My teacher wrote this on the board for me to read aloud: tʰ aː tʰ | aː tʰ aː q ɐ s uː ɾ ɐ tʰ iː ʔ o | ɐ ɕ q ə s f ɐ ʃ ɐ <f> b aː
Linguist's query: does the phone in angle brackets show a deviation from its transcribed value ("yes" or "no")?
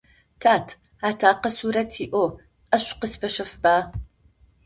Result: no